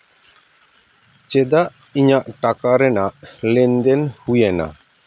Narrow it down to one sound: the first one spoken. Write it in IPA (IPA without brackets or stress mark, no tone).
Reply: t͡ʃ